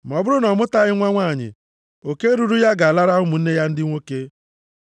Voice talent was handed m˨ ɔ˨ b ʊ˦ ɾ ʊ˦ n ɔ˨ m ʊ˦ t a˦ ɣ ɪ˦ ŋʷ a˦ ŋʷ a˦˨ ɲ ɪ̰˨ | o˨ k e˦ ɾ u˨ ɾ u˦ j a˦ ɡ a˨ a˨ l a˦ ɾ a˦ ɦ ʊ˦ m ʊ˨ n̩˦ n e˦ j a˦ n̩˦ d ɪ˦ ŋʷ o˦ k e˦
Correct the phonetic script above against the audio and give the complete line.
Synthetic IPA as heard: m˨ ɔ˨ b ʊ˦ ɾ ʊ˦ n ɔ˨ m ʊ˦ t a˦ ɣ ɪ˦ ŋʷ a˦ ŋʷ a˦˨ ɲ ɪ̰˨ | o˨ k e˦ ɾ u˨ ɾ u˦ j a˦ ɡ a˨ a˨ l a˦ ɾ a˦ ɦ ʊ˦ m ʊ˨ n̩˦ n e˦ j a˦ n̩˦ d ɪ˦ ŋʷ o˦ k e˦